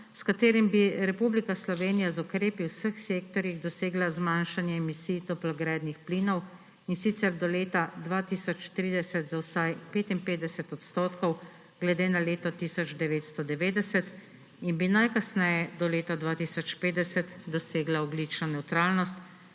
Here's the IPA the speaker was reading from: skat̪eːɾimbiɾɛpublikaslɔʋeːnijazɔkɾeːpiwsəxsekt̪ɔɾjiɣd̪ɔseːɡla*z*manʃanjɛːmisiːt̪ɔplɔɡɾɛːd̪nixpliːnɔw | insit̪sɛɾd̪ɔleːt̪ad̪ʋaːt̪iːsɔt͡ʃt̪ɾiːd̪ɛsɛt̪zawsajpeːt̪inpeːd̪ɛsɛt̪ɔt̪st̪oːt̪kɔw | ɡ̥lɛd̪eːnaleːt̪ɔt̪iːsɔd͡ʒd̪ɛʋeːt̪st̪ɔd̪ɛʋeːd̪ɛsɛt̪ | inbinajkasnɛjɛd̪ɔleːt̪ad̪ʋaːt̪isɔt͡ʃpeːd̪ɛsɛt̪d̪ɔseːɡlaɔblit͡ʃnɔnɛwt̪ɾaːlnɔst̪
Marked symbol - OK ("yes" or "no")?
yes